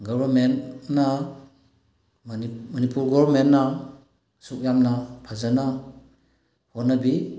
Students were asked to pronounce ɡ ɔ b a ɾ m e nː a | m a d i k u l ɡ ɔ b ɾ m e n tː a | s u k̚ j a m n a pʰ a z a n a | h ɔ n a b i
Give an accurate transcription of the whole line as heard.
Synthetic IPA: ɡ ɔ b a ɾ m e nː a | m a n i p u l ɡ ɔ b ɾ m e n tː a | s u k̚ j a m n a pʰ a z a n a | h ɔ n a b i